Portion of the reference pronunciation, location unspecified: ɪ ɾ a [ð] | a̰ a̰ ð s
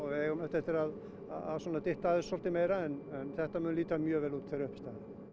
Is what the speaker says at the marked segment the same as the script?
yes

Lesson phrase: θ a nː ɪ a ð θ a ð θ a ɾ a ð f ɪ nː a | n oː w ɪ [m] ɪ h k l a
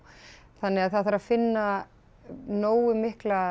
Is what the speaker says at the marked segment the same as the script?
yes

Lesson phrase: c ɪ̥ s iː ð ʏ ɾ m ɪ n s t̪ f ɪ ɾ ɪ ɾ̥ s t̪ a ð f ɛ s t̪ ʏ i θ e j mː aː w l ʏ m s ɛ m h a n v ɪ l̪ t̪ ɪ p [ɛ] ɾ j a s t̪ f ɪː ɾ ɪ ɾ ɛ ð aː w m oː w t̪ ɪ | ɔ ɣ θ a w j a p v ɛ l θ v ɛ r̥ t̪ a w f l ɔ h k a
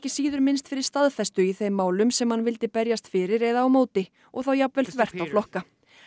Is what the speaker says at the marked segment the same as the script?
yes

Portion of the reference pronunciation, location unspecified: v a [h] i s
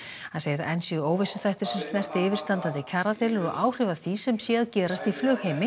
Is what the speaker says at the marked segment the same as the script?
no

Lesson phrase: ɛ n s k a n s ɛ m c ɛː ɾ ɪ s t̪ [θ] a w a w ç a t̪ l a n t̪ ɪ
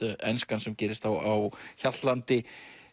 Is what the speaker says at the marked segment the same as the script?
yes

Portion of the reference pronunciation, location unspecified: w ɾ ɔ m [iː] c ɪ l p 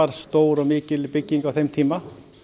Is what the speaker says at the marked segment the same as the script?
no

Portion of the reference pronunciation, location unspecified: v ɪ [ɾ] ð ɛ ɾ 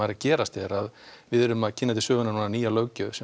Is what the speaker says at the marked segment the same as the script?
no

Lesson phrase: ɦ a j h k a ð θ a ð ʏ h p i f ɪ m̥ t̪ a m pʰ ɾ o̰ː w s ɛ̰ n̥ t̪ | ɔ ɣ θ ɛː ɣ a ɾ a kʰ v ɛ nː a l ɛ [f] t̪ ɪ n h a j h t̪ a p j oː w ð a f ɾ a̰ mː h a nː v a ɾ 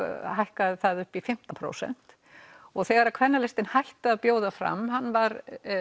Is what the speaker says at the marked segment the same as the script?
no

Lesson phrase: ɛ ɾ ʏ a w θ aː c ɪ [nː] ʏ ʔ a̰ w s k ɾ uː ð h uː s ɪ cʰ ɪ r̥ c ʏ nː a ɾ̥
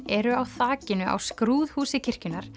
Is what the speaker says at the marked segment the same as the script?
no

